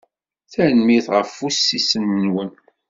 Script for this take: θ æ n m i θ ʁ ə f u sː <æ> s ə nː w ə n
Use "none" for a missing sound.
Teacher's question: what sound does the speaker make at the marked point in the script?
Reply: i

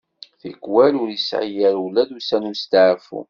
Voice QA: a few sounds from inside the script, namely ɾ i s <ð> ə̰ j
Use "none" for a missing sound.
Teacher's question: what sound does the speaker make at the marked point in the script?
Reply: ʕ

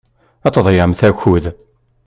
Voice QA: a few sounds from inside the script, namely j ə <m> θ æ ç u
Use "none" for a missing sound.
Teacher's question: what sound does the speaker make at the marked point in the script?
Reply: m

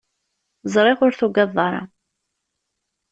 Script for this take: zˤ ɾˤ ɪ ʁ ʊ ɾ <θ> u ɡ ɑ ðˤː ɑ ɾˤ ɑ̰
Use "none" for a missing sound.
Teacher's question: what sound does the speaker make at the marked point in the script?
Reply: θ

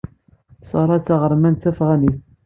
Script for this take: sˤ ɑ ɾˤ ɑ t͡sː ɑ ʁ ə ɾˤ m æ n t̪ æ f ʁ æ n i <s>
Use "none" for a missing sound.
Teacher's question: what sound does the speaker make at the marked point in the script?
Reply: θ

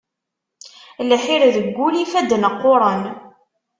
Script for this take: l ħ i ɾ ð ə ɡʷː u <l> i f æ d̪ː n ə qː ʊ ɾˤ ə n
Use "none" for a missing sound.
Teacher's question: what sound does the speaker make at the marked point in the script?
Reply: l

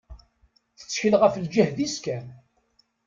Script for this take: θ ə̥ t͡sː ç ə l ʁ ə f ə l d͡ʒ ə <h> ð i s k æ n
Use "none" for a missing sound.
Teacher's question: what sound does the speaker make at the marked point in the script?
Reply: h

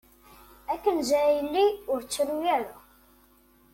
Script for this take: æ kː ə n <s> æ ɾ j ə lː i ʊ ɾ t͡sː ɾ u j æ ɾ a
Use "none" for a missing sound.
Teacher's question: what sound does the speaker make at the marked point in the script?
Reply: z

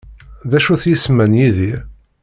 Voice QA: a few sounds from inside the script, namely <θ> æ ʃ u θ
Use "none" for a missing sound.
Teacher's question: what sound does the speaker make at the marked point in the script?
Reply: ð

